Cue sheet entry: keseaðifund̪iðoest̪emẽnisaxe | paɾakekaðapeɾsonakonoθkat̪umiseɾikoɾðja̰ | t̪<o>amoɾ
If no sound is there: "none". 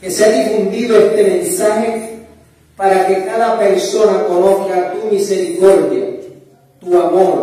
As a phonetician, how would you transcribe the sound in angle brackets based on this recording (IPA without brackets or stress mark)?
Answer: u